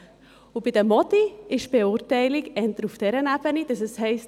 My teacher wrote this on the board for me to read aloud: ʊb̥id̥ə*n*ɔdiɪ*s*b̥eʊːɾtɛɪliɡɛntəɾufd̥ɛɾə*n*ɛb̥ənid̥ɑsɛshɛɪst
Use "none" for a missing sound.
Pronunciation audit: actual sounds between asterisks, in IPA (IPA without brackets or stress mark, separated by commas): m, ʃ, n